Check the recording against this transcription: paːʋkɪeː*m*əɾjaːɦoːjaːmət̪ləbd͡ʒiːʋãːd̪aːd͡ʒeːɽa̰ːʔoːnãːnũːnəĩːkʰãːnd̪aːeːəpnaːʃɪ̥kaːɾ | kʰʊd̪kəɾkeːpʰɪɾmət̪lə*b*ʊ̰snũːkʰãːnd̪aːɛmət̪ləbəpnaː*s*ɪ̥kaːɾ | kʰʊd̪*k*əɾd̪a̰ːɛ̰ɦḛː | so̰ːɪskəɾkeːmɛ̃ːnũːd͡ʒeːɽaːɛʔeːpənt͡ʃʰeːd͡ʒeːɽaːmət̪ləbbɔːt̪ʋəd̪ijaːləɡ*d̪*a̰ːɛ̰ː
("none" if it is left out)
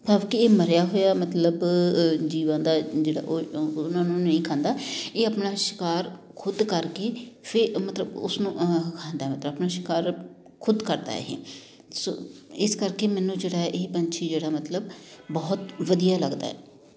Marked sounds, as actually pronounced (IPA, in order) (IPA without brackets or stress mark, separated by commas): m, b, ʃ, k, d̪